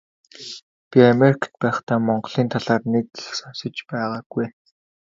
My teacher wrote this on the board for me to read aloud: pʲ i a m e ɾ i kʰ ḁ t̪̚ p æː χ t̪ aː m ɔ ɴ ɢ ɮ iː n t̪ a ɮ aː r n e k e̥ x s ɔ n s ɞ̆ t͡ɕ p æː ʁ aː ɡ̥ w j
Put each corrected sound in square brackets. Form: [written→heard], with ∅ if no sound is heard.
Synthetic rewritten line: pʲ i a m e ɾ i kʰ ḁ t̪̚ p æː χ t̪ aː m ɔ ɴ ɢ ɮ iː n [t̪→t̪ʰ] a ɮ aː r n e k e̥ x s ɔ n s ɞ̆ t͡ɕ p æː ʁ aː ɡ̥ [w→u] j